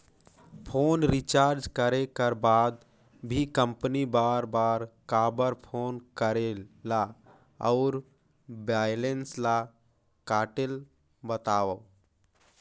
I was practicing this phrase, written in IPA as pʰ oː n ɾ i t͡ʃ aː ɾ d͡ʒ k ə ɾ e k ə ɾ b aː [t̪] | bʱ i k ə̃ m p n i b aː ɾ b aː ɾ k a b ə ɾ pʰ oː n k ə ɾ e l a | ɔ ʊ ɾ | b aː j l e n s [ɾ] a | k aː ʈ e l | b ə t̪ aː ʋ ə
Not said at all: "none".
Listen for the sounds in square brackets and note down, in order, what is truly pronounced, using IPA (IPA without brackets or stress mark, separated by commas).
d̪, l